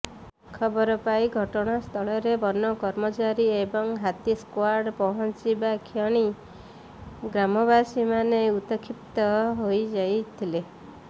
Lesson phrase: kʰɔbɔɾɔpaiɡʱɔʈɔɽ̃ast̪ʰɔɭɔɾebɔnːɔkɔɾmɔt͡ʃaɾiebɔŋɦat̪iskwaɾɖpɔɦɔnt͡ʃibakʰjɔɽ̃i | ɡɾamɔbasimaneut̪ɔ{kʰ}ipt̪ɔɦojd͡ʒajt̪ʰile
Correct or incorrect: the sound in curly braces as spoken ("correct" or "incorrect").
correct